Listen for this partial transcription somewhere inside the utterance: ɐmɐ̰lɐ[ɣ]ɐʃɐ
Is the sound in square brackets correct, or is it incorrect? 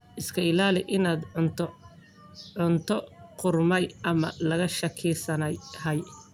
correct